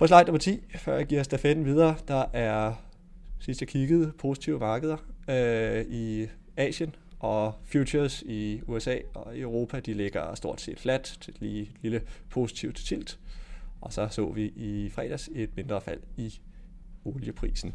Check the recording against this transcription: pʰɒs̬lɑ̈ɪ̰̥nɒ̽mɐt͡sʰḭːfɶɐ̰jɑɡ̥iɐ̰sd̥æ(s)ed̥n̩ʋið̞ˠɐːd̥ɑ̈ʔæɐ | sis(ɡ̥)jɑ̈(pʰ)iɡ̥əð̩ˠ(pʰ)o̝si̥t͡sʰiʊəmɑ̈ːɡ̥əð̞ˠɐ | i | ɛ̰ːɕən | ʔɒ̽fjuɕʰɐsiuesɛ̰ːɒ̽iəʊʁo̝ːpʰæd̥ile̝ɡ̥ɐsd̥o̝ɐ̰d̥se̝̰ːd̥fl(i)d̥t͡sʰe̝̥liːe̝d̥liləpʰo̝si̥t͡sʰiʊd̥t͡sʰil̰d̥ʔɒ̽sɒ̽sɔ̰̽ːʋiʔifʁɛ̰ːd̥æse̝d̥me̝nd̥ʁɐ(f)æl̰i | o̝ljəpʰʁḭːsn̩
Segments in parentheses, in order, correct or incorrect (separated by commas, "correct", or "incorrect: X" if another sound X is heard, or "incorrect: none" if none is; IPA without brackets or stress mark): incorrect: f, incorrect: d̥, incorrect: kʰ, correct, incorrect: æ, correct